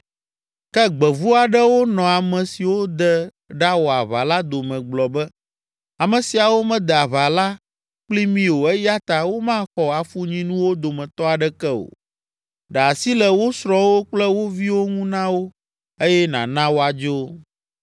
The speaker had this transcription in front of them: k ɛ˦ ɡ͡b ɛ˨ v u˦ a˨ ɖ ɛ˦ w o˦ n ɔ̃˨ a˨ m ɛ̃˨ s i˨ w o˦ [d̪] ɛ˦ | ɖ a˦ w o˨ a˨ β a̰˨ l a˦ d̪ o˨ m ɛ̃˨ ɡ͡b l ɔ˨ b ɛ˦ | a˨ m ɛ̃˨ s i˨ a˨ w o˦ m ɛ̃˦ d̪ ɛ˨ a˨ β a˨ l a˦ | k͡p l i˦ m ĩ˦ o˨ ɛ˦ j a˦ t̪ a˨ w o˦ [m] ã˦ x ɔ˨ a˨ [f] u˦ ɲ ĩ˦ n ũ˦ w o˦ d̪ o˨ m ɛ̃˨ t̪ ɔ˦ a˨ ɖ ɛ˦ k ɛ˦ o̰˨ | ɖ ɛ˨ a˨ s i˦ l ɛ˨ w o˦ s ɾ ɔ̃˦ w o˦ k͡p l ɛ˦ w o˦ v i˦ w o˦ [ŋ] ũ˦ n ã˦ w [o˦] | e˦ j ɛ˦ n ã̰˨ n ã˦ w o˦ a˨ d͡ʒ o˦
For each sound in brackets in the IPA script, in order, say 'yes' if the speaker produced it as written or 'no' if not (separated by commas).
yes, yes, yes, yes, yes